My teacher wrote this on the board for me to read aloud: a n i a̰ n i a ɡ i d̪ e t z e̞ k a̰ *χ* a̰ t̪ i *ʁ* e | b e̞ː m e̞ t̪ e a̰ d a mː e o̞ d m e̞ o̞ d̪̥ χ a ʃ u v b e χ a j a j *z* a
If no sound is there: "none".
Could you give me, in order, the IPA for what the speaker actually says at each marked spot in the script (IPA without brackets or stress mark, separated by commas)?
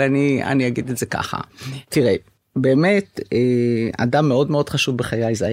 χ, ʁ, z